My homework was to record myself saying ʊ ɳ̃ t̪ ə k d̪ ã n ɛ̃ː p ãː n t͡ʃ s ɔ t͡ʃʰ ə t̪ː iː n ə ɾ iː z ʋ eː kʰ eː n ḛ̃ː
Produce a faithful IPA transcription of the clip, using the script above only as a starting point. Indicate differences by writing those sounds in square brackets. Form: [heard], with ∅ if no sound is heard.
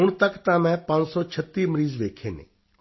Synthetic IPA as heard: ʊ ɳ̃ t̪ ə k [t̪] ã [m] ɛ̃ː p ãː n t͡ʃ s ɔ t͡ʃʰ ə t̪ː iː [m] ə ɾ iː z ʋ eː kʰ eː n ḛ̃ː